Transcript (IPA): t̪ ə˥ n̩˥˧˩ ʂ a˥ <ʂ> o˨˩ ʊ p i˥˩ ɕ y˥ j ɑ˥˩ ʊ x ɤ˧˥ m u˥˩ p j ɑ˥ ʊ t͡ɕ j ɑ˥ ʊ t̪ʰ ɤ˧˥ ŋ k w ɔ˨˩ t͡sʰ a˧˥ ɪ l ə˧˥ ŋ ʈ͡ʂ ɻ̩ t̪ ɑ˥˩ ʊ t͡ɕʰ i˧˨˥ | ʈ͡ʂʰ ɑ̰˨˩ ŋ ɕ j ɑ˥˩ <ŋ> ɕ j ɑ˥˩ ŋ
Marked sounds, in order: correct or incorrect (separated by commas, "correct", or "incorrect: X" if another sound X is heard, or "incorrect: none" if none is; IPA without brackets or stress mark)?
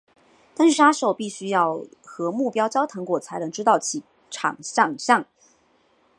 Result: correct, correct